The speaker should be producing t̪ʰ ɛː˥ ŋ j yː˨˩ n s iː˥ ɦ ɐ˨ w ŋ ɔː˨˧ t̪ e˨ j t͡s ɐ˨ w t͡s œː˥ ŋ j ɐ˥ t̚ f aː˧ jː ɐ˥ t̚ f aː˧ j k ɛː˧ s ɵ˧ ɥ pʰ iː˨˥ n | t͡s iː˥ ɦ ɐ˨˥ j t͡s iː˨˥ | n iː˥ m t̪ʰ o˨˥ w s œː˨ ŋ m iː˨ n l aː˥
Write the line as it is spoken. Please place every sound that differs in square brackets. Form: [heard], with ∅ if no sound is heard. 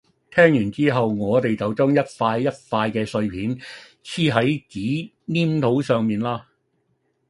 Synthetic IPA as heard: t̪ʰ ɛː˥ ŋ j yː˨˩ n [t͡s] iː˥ ɦ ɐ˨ w ŋ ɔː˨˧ t̪ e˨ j t͡s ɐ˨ w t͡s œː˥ ŋ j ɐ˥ t̚ f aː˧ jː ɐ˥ t̚ f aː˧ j k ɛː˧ s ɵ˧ ɥ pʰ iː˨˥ n | [t͡sʰ] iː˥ ɦ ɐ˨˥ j t͡s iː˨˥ | n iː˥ m t̪ʰ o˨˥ w s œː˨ ŋ m iː˨ n l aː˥